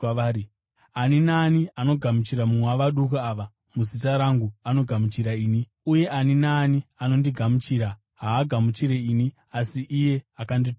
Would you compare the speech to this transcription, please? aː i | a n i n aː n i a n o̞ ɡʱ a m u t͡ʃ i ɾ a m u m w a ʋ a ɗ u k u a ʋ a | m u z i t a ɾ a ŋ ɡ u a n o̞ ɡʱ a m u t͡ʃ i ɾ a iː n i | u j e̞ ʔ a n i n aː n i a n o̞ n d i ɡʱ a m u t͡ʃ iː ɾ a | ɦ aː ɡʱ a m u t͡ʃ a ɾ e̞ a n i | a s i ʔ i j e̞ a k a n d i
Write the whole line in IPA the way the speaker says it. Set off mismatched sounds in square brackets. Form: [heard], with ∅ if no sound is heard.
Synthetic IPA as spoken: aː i | a n i n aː n i a n o̞ ɡʱ a m u t͡ʃ i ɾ a m u m w a ʋ a ɗ u k u a ʋ a | m u z i t a ɾ a ŋ ɡ u a n o̞ ɡʱ a m u t͡ʃ i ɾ a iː n i | u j e̞ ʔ a n i n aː n i a n o̞ n d i ɡʱ a m u t͡ʃ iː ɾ a | ɦ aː ɡʱ a m u t͡ʃ [i] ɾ e̞ [i] n i | a s i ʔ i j e̞ a k a n d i